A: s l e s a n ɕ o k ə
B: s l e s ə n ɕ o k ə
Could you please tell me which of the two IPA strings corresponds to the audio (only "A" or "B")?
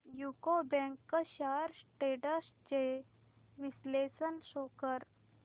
B